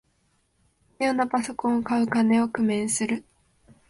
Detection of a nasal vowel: present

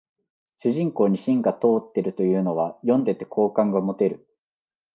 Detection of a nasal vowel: present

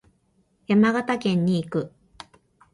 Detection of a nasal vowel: present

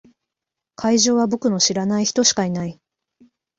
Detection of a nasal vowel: absent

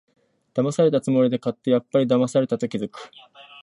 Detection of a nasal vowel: absent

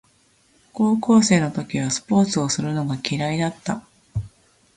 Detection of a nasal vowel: absent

